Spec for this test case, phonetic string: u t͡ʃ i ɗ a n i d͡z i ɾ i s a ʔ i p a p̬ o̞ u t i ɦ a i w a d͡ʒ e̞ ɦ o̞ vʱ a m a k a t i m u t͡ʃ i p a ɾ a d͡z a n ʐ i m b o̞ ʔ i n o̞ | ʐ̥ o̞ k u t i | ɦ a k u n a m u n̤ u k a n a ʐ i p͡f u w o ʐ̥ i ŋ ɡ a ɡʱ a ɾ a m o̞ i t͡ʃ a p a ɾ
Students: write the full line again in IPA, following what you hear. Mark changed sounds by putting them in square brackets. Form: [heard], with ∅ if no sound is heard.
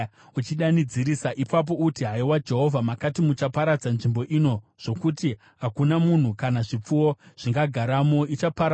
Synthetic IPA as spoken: u t͡ʃ i ɗ a n i d͡z i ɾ i s a ʔ i p a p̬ o̞ u t i ɦ a i w a d͡ʒ e̞ ɦ o̞ vʱ a m a k a t i m u t͡ʃ [a] p a ɾ a d͡z a n ʐ i m b o̞ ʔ i n o̞ | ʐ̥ o̞ k u t i | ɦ a k u n a m u n̤ u k a n a ʐ i p͡f u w o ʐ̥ i ŋ ɡ a ɡʱ a ɾ a m o̞ i t͡ʃ a p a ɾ